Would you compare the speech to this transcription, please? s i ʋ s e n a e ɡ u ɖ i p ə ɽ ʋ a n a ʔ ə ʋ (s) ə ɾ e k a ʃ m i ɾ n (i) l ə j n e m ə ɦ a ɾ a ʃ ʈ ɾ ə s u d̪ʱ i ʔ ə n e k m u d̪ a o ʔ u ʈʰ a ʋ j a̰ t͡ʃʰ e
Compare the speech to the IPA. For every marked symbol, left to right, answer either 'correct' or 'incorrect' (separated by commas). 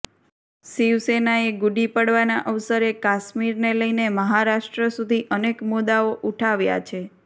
correct, incorrect